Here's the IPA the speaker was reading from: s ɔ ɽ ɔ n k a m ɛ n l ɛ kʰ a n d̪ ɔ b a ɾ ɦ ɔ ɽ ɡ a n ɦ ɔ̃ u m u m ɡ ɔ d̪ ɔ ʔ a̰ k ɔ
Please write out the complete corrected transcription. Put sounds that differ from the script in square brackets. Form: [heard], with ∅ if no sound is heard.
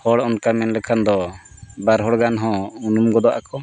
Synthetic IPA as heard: [h] ɔ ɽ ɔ n k a m ɛ n l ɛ kʰ a n d̪ ɔ b a ɾ ɦ ɔ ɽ ɡ a n ɦ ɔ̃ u [n] u m ɡ ɔ d̪ ɔ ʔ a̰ k ɔ